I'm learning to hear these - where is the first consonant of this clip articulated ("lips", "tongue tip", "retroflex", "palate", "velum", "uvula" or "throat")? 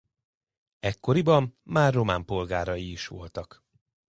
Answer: velum